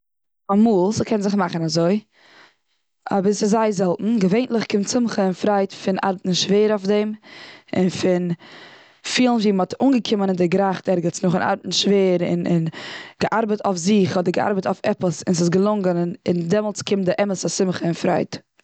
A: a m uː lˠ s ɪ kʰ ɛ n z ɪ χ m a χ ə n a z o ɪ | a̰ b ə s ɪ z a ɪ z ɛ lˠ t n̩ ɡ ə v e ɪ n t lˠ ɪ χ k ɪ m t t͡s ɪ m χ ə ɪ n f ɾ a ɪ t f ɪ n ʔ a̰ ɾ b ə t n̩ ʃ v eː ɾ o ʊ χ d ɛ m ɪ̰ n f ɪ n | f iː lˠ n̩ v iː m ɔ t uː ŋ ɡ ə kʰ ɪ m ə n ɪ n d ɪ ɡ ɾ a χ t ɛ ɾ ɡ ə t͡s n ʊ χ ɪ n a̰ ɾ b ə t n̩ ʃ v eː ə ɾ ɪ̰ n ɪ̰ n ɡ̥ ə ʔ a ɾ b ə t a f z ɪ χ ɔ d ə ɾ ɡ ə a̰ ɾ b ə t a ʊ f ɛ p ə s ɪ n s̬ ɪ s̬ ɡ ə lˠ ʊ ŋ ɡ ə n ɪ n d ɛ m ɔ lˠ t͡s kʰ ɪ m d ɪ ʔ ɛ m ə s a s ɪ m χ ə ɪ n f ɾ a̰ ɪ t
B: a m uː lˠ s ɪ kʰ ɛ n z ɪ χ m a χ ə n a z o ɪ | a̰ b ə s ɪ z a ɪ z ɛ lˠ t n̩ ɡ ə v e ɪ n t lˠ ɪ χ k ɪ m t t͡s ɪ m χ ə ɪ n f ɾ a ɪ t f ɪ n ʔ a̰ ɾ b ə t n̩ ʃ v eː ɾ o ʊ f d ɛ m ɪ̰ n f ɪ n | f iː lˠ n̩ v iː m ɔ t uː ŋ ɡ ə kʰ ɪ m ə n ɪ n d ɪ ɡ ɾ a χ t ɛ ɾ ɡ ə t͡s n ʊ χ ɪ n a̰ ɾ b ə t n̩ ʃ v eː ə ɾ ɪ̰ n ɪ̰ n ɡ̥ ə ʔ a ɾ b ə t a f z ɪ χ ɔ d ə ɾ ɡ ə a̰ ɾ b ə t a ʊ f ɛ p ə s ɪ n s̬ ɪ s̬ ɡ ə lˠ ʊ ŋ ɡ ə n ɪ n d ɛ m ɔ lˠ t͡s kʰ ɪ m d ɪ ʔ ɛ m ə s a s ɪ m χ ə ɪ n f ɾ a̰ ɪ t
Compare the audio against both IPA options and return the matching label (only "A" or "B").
B